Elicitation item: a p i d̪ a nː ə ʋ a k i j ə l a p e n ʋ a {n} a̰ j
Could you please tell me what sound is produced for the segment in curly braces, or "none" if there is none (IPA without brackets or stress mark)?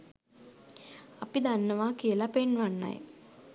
nː